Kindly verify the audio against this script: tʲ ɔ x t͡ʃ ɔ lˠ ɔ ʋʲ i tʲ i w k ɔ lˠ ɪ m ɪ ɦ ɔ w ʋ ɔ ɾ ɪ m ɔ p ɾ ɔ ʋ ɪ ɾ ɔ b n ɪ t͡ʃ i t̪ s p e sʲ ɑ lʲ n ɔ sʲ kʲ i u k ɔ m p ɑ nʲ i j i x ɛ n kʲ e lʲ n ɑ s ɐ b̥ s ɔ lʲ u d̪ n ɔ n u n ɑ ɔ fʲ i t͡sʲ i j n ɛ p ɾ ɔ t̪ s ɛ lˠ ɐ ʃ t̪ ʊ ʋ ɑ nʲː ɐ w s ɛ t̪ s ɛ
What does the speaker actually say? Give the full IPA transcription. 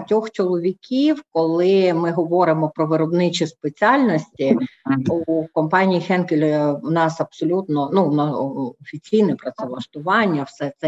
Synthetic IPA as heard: tʲ ɔ x t͡ʃ ɔ lˠ ɔ ʋʲ i kʲ i w k ɔ lˠ ɪ m ɪ ɦ ɔ ʋ ɔ ɾ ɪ m ɔ p ɾ ɔ ʋ ɪ ɾ ɔ b n ɪ t͡ʃ i s p e t͡sʲ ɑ lʲ n ɔ sʲ tʲ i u k ɔ m p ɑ nʲ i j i x ɛ n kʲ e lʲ n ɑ s ɐ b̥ s ɔ lʲ u t̪ n ɔ n u n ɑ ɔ fʲ i t͡sʲ i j n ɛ p ɾ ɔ t̪ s ɛ lˠ ɐ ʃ t̪ ʊ ʋ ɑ nʲː ɐ w s ɛ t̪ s ɛ